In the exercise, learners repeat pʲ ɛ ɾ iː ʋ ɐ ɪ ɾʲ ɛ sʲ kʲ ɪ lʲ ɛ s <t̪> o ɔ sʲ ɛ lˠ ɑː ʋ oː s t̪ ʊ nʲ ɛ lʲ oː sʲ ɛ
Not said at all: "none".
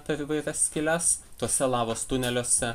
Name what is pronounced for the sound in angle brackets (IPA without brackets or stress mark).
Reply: t̪